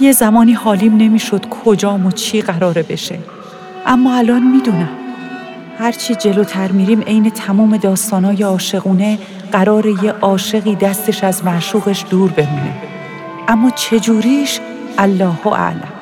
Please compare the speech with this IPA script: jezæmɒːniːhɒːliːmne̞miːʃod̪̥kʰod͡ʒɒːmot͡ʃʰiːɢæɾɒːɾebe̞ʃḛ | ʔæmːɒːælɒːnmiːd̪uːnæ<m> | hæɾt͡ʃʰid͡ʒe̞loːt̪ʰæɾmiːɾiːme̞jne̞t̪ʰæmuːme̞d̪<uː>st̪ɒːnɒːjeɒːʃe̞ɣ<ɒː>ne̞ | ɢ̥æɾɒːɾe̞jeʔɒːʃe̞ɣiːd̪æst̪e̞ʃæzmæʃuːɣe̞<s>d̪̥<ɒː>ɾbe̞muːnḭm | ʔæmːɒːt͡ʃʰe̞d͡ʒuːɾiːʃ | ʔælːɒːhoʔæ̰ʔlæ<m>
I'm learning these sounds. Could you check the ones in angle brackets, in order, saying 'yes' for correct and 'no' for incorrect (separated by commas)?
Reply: yes, no, no, no, no, yes